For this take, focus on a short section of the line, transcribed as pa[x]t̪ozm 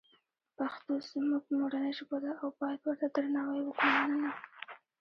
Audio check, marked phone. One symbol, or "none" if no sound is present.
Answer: x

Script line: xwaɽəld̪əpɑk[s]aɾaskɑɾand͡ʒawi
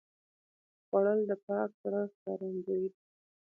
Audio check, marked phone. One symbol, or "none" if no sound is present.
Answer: s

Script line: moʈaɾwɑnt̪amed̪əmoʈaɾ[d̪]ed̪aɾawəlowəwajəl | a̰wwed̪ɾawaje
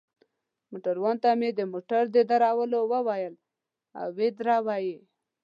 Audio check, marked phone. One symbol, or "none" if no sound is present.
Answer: d̪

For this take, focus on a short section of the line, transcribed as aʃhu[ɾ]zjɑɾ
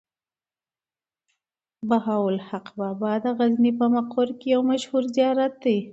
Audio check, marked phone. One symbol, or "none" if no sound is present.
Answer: ɾ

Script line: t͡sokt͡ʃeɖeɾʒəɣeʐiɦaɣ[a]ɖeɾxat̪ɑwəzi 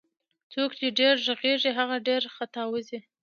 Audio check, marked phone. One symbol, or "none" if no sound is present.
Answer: a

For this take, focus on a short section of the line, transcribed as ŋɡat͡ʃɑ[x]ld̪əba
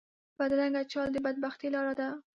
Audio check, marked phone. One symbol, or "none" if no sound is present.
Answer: none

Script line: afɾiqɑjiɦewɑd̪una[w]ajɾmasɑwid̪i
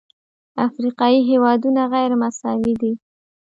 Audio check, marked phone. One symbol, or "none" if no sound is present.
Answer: ɣ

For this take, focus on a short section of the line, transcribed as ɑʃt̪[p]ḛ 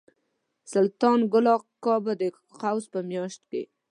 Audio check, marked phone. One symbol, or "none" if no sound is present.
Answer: k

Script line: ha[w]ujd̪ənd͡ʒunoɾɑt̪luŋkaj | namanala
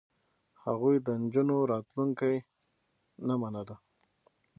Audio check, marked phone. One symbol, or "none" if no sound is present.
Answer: ɣ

